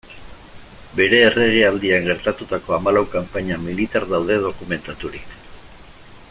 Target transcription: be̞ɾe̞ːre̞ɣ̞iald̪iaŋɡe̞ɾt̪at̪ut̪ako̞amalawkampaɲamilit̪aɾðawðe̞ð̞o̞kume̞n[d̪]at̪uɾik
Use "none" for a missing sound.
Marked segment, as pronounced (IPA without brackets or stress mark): t̪